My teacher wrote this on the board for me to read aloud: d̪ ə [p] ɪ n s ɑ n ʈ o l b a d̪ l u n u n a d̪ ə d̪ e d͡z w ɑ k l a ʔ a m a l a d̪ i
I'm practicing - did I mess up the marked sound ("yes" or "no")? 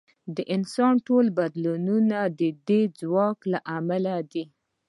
yes